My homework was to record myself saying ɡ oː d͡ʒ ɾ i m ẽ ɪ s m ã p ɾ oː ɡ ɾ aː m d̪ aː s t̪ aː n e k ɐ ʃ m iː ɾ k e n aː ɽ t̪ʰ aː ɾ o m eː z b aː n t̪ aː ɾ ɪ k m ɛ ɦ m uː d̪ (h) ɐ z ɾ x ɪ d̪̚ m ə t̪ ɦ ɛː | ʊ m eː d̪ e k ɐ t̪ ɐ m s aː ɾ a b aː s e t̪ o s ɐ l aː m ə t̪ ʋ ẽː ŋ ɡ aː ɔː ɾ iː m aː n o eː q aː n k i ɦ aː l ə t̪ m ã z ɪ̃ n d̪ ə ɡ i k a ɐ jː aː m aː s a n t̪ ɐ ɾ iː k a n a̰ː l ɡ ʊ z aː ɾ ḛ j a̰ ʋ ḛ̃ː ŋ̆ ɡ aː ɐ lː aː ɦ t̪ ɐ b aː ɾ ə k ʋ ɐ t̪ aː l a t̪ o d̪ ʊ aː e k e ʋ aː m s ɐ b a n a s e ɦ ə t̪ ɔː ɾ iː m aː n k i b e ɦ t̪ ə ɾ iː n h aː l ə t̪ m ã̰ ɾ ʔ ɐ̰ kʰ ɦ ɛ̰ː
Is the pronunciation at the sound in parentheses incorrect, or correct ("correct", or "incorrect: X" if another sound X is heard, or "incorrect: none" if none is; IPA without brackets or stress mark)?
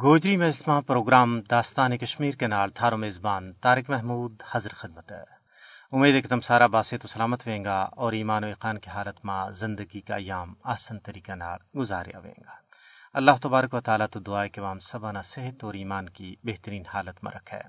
correct